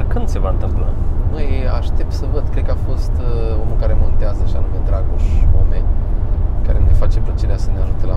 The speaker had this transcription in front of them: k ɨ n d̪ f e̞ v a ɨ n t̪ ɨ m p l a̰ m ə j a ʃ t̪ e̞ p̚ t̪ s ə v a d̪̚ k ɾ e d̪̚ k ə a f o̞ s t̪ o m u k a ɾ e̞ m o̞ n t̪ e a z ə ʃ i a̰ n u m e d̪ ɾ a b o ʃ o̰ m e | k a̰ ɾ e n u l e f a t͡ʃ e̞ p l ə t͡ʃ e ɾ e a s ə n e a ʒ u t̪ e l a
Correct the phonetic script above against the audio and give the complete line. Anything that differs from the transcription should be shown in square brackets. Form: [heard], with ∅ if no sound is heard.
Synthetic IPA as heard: k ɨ n d̪ [s] e̞ v a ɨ n t̪ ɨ m p l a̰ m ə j a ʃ t̪ e̞ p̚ t̪ s ə v [ə] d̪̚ k ɾ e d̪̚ k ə a f o̞ s t̪ o m u k a ɾ e̞ m o̞ n t̪ e a z ə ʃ i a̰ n u m e d̪ ɾ a [ɡ] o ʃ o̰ m e | k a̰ ɾ e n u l e f a t͡ʃ e̞ p l ə t͡ʃ e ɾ e a s ə n e a ʒ u t̪ e l a